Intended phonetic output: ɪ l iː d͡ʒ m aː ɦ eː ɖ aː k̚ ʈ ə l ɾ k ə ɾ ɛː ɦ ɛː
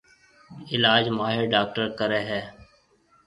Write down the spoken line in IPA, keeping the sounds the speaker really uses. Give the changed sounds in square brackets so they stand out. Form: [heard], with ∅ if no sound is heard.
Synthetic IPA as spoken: ɪ l [aː] d͡ʒ m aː ɦ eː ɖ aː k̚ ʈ ə [∅] ɾ k ə ɾ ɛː ɦ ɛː